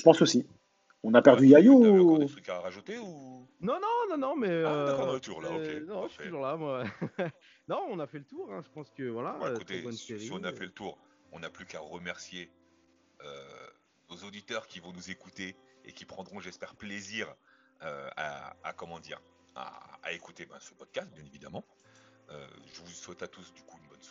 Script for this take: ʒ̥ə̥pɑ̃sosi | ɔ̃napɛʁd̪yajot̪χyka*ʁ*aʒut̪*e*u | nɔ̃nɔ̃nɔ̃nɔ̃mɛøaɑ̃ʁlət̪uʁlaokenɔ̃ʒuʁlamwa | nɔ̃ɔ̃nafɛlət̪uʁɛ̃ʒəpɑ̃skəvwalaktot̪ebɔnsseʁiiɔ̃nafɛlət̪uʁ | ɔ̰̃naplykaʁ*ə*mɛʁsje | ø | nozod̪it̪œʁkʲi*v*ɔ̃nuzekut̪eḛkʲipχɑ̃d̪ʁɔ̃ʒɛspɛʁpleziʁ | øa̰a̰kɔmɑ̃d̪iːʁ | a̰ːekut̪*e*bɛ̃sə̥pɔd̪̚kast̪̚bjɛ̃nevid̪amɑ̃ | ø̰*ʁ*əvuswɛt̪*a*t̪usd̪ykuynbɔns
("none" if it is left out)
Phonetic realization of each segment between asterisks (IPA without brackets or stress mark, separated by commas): ʁ, e, ə, v, e, ʒ, a